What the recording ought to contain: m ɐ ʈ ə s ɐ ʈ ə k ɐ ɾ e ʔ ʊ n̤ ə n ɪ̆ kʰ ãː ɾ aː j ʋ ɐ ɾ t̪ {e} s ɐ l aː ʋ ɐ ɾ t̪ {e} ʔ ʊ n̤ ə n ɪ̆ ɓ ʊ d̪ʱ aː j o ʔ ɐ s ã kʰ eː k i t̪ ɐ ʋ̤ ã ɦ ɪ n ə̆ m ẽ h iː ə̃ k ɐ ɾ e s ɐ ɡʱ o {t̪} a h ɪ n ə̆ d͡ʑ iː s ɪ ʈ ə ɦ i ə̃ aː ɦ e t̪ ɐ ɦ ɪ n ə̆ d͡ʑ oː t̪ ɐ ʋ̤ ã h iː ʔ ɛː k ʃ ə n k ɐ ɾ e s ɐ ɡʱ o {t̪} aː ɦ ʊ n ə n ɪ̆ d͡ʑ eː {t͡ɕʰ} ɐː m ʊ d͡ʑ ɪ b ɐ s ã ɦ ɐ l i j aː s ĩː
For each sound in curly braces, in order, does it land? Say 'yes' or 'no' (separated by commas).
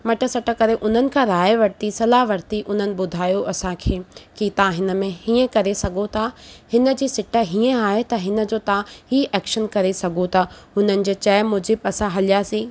no, no, no, no, no